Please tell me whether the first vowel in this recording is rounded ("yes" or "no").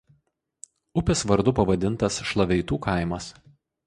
yes